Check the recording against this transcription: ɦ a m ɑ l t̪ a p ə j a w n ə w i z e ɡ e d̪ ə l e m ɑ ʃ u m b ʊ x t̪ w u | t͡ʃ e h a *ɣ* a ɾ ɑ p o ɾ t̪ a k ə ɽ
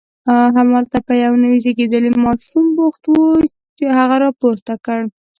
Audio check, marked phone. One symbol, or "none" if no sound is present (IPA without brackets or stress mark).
ɣ